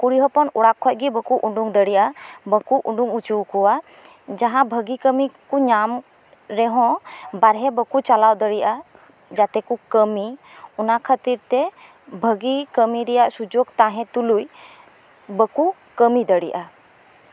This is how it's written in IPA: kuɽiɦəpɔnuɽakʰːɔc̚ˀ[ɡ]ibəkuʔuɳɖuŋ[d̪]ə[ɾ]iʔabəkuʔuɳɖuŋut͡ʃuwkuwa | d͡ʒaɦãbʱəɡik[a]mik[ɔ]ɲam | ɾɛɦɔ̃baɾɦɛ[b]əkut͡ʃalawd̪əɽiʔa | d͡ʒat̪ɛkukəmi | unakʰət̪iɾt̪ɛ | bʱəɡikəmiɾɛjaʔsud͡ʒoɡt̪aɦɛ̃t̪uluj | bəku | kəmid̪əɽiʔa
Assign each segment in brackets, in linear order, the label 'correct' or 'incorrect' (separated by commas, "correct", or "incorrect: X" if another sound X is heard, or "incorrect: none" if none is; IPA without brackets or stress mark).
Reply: correct, correct, incorrect: ɽ, incorrect: ə, incorrect: u, correct